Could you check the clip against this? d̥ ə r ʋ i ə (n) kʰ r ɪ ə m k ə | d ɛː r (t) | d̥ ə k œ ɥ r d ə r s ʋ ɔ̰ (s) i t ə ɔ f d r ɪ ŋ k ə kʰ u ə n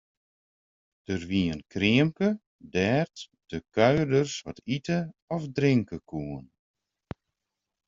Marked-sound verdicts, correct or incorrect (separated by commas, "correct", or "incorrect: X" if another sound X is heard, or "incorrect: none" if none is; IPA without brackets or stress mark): correct, correct, incorrect: t